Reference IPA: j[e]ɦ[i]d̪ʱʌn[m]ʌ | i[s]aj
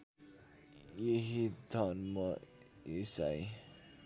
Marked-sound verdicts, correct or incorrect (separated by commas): correct, correct, correct, correct